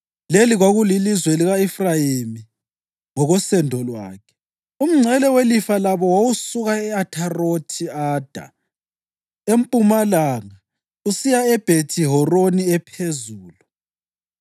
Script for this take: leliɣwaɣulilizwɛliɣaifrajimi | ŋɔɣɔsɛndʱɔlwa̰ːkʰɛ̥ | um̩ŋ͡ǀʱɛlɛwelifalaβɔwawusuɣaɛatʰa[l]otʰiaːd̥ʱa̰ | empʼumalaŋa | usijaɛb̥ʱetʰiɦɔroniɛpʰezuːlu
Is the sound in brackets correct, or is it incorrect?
incorrect